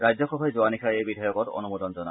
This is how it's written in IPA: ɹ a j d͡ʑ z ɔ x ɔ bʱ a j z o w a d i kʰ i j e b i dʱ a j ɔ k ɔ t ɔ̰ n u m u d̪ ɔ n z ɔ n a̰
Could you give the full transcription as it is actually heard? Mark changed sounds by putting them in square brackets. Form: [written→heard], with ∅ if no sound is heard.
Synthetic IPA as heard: ɹ a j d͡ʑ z ɔ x ɔ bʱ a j z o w a [d→n] i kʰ [i→a] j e b i dʱ a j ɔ k ɔ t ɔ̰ n u m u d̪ ɔ n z ɔ n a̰